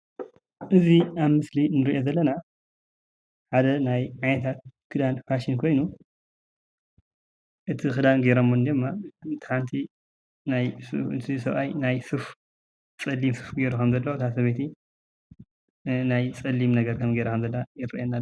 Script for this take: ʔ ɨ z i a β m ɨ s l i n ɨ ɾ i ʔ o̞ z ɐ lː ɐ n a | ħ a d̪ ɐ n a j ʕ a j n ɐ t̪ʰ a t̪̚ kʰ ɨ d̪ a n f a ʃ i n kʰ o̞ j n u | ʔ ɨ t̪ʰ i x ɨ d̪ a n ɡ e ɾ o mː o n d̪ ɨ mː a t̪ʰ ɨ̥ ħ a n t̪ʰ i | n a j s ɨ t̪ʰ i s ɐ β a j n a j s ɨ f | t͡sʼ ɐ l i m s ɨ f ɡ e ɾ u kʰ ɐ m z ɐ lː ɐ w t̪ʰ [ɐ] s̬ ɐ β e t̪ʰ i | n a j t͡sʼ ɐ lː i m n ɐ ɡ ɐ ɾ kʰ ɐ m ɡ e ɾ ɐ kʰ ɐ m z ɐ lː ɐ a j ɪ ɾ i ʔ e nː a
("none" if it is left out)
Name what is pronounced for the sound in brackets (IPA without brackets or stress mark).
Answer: a